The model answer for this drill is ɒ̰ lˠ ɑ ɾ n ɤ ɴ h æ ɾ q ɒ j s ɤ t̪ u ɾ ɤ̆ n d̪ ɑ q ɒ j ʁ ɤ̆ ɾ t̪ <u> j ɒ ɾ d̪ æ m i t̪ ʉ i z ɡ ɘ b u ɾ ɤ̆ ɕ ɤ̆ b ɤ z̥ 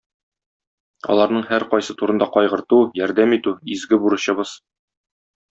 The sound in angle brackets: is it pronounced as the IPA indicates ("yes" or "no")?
yes